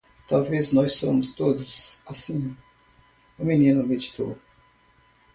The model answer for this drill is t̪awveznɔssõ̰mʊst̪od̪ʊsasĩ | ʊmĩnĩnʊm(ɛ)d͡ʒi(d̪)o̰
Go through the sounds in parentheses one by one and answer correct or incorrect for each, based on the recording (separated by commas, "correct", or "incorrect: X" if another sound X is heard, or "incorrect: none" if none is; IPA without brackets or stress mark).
incorrect: e, incorrect: t̪